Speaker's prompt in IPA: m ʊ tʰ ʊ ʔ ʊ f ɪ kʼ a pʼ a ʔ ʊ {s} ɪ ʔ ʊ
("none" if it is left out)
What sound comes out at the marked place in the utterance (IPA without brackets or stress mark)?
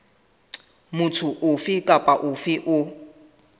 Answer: f